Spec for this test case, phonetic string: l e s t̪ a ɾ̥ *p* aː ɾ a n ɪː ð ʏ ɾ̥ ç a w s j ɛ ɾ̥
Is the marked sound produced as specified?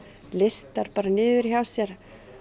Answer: yes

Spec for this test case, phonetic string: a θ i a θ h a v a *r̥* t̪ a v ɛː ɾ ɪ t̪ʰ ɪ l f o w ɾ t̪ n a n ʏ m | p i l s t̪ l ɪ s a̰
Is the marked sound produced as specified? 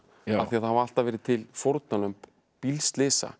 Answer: no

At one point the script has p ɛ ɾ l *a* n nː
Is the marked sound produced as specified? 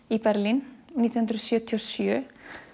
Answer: no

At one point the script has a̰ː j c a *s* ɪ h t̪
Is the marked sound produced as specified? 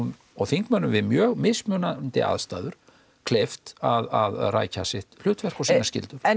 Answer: yes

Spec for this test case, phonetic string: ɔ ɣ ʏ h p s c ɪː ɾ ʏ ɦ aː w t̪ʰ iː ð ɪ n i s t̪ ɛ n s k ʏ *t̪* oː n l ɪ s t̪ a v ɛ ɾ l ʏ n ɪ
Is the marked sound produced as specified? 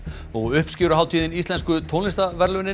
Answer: no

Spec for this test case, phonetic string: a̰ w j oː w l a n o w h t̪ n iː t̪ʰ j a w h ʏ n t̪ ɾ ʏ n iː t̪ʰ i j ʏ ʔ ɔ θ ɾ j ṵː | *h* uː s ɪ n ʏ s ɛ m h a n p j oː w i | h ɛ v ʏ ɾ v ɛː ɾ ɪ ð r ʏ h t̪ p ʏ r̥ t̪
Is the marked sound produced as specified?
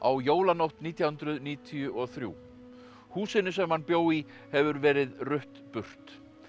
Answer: yes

